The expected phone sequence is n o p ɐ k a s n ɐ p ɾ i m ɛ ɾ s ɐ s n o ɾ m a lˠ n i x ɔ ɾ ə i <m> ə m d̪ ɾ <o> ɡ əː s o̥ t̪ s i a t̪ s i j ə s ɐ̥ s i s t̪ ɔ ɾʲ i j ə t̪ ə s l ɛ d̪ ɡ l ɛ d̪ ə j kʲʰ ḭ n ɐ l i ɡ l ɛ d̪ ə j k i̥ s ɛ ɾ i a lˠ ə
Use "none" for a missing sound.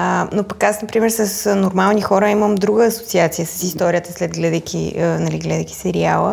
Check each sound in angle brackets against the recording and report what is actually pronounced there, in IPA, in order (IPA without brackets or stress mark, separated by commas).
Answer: m, u